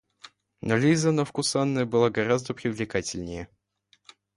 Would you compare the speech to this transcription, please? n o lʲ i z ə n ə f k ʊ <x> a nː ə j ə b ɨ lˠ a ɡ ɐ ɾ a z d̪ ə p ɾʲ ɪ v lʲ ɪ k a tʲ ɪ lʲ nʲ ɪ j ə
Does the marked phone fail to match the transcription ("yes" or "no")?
yes